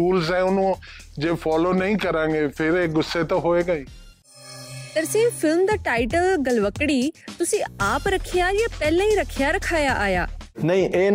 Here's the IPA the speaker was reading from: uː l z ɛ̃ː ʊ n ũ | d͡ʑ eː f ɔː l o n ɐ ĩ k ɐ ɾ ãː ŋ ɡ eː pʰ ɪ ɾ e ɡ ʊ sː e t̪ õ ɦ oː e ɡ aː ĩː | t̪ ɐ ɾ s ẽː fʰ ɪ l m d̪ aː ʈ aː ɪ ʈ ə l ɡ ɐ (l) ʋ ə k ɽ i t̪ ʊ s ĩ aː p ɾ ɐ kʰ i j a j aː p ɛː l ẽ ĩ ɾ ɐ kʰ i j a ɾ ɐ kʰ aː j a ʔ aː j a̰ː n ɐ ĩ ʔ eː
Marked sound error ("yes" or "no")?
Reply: no